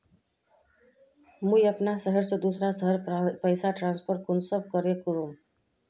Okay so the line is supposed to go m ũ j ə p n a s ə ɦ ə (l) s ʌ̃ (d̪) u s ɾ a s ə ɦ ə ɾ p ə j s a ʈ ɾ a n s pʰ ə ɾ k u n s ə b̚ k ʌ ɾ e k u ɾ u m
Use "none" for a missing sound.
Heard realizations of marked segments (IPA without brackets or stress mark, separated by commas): ɾ, d̪